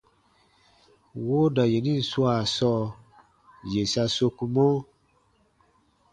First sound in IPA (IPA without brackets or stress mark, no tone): w